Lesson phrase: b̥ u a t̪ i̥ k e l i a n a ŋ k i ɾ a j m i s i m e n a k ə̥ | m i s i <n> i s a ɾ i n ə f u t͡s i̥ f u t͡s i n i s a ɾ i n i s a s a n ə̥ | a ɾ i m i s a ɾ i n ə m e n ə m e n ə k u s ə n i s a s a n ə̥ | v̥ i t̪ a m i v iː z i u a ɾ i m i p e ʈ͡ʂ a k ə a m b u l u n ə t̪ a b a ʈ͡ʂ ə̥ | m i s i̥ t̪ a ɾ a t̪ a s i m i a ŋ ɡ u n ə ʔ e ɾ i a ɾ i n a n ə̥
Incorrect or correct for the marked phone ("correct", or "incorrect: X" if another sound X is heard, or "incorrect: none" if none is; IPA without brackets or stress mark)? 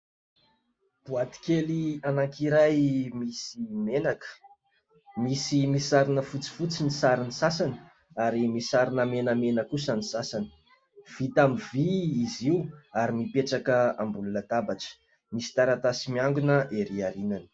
incorrect: m